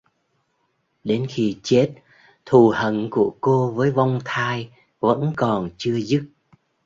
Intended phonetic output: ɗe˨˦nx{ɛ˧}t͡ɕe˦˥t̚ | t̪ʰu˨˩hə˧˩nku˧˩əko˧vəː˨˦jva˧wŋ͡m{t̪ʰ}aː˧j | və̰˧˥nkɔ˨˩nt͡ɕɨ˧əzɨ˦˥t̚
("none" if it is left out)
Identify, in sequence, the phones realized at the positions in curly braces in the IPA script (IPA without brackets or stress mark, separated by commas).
i˧, t̪ʰ